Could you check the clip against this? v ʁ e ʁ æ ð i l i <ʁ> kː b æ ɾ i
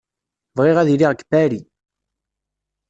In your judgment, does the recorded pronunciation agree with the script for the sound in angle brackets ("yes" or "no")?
yes